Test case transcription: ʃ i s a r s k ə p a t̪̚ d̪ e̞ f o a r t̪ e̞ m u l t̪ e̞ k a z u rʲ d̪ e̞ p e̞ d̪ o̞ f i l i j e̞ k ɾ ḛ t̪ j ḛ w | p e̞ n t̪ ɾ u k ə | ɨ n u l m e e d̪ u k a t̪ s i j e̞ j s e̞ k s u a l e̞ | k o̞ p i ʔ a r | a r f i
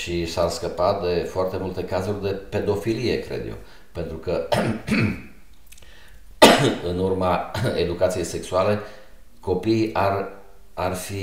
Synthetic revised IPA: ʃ i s a r s k ə p a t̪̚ d̪ e̞ f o a r t̪ e̞ m u l t̪ e̞ k a z u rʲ d̪ e̞ p e̞ d̪ o̞ f i l i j e̞ k ɾ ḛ d̪ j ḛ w | p e̞ n t̪ ɾ u k ə | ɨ n u r m a e d̪ u k a t̪ s i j e̞ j s e̞ k s u a l e̞ | k o̞ p i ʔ a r | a r f i